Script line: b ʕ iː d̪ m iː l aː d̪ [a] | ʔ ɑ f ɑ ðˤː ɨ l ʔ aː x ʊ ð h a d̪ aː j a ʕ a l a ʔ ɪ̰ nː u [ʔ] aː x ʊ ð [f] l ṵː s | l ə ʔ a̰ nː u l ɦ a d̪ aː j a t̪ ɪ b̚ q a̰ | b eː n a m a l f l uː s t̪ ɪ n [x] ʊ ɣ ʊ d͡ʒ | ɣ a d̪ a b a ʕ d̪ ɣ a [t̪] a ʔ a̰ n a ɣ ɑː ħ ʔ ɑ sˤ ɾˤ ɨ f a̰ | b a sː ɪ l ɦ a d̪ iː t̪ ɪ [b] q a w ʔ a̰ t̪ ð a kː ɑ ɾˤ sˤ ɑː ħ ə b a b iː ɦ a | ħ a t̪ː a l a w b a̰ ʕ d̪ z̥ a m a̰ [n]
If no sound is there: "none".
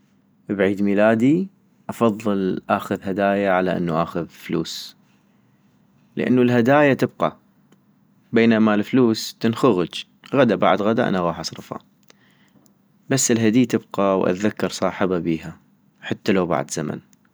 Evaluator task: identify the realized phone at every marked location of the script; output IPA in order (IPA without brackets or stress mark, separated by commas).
i, ʔ, f, x, d̪, b, n